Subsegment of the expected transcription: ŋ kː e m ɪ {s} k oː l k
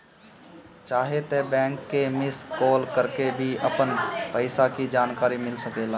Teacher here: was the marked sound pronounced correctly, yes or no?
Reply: yes